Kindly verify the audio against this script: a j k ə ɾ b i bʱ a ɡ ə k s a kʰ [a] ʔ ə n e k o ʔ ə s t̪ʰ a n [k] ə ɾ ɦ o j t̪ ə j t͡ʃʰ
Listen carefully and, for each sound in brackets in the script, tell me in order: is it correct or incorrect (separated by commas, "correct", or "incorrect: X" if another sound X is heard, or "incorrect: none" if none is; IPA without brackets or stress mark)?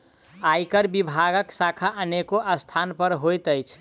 correct, incorrect: p